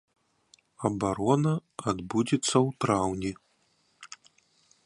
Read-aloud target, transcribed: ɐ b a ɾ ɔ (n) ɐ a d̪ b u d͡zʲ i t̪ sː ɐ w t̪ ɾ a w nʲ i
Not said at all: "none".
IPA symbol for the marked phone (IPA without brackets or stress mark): n